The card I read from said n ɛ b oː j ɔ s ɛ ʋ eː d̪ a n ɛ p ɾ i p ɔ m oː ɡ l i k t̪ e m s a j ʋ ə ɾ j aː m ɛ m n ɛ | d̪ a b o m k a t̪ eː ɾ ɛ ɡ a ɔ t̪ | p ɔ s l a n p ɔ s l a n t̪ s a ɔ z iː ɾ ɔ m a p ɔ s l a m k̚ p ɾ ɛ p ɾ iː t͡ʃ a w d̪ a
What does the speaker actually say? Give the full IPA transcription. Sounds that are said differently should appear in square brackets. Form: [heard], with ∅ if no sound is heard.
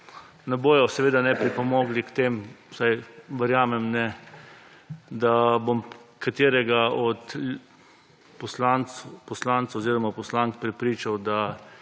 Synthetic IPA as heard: n ɛ b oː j ɔ s ɛ ʋ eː d̪ a n ɛ p ɾ i p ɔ m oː ɡ l i k t̪ e m s a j ʋ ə ɾ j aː m ɛ m n ɛ | d̪ a b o m k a t̪ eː ɾ ɛ ɡ a ɔ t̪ | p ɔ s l a n p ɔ s l a n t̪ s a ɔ z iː ɾ ɔ m a p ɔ s l a [ŋ] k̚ p ɾ ɛ p ɾ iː t͡ʃ a w d̪ a

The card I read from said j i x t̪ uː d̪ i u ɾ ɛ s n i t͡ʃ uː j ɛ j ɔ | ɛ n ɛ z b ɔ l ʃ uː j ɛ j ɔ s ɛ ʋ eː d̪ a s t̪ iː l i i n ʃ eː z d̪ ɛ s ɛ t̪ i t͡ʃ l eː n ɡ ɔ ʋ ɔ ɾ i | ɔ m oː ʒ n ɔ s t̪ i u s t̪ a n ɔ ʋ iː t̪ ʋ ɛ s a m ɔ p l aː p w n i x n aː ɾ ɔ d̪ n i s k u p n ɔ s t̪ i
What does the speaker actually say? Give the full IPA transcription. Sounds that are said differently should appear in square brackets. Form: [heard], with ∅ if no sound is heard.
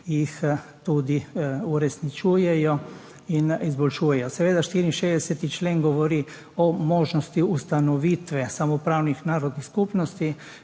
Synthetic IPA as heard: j i x t̪ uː d̪ i u ɾ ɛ s n i t͡ʃ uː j ɛ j ɔ | [i] n [i] z b ɔ l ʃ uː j ɛ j ɔ s ɛ ʋ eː d̪ a [ʃ] t̪ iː [ɾ] i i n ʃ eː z d̪ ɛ s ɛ t̪ i t͡ʃ l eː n ɡ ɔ ʋ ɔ ɾ i | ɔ m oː ʒ n ɔ s t̪ i u s t̪ a n ɔ ʋ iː t̪ ʋ ɛ s a m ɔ p [ɾ] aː [∅] w n i x n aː ɾ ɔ d̪ n i s k u p n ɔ s t̪ i

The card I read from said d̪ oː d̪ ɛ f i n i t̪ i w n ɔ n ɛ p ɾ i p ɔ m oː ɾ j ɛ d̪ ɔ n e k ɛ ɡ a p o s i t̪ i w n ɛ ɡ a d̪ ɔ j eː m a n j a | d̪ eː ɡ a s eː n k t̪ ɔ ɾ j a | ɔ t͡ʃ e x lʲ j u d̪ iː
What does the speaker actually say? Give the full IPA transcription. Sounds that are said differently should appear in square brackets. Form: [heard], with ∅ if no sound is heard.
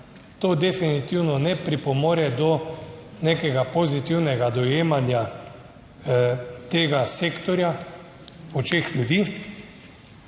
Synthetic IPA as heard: [t̪] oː d̪ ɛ f i n i t̪ i w n ɔ n ɛ p ɾ i p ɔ m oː ɾ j ɛ d̪ ɔ n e k ɛ ɡ a p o [z] i t̪ i w n ɛ ɡ a d̪ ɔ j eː m a n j a | [t̪] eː ɡ a s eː [∅] k t̪ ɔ ɾ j a | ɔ t͡ʃ e x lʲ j u d̪ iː

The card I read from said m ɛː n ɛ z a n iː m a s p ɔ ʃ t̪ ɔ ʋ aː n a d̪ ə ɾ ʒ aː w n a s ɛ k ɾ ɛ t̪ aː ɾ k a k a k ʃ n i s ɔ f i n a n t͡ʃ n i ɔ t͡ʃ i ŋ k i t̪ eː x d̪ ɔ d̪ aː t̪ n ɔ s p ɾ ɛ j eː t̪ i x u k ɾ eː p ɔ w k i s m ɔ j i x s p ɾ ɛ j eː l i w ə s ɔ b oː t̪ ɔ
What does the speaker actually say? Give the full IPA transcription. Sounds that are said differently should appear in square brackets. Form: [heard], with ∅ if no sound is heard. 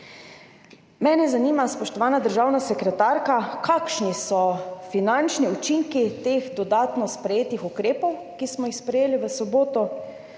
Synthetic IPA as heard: m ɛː n ɛ z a n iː m a s p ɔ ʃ t̪ ɔ ʋ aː n a d̪ ə ɾ ʒ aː w n a s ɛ k ɾ ɛ t̪ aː ɾ k a k a k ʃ n i s ɔ f i n a n t͡ʃ n i [u] t͡ʃ i ŋ k i t̪ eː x d̪ ɔ d̪ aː t̪ n ɔ s p ɾ ɛ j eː t̪ i x u k ɾ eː p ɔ w k i s m ɔ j i x s p ɾ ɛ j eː l i [ʋ] ə s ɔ b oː t̪ ɔ

